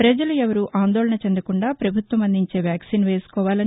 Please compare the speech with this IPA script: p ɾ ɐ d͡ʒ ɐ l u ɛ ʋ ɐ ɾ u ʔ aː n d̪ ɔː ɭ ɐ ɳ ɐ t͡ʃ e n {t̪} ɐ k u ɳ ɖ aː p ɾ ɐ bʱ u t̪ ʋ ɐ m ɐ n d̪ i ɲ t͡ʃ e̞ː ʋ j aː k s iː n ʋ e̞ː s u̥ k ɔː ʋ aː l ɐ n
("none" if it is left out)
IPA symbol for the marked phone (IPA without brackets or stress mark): d̪